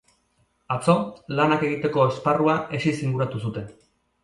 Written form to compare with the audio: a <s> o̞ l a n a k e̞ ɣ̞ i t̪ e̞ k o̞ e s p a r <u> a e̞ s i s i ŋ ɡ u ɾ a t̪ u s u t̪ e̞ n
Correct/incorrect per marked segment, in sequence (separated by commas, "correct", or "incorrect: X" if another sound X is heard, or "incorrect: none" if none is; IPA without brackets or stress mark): incorrect: t͡s, correct